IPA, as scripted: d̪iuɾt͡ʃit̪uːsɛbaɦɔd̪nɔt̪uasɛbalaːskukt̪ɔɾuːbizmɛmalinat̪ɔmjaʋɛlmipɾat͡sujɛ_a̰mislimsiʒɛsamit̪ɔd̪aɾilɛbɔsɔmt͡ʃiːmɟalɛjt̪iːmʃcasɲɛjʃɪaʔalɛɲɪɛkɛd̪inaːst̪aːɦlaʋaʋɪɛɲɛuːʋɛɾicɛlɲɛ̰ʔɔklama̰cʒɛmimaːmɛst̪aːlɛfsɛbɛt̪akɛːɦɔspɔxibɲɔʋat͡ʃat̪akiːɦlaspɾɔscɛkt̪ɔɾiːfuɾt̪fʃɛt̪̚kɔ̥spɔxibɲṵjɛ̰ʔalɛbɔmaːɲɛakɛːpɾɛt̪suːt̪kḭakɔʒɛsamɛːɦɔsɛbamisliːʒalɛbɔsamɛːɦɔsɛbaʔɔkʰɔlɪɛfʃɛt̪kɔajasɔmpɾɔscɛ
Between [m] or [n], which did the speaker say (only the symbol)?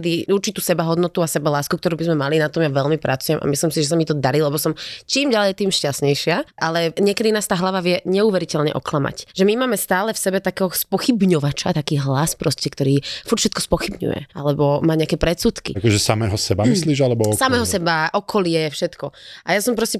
m